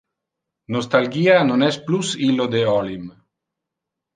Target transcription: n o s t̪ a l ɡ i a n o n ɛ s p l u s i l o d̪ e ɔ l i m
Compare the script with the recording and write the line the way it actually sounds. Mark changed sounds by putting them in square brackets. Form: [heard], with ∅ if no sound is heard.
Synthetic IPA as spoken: n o s t̪ a l ɡ i a n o n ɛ s p l u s i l o d̪ e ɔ l i m